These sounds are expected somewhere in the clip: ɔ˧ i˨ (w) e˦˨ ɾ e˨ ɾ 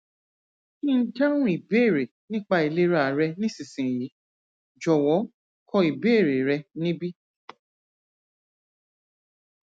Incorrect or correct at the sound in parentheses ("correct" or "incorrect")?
incorrect